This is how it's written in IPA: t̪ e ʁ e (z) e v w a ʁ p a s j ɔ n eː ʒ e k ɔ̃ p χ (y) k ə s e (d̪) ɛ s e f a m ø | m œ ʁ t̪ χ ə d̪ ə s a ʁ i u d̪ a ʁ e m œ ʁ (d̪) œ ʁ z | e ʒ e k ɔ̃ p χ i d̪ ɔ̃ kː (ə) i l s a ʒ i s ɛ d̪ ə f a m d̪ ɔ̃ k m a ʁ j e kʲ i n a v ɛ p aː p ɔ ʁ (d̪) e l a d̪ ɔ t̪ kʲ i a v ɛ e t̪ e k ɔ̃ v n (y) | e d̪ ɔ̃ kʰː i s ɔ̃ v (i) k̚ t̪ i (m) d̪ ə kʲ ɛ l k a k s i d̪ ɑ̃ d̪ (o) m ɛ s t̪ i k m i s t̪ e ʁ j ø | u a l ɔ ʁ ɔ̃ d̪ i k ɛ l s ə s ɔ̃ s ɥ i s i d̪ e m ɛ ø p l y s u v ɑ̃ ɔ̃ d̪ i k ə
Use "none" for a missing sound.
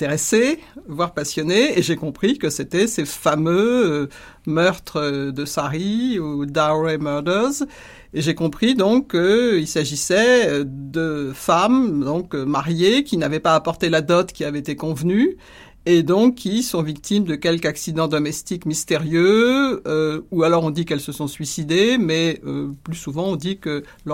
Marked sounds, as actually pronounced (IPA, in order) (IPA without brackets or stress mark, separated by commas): s, i, t̪, d̪, ə, t̪, y, i, m, ɔ